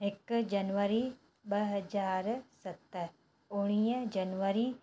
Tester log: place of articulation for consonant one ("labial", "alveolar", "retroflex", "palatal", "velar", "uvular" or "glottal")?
velar